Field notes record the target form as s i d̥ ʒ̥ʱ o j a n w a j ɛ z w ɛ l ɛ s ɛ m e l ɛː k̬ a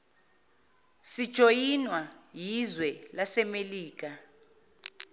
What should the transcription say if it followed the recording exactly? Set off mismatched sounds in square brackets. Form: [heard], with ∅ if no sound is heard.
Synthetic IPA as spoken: s i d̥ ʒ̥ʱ o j [i] n w a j [i] z w ɛ l [a] s ɛ m e l [iː] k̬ a